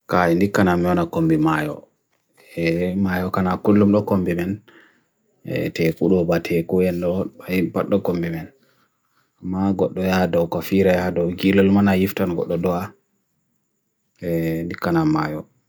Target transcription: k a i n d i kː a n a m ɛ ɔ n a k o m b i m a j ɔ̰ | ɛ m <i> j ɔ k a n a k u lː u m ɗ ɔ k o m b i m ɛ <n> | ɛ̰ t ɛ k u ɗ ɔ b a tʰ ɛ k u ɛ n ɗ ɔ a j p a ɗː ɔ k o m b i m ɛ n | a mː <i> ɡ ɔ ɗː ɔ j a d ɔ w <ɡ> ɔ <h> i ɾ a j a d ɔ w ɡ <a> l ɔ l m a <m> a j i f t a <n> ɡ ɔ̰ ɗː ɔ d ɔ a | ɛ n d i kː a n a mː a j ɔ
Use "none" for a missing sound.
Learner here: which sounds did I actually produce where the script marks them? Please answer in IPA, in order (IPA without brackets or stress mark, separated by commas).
a, n, a, k, f, i, n, n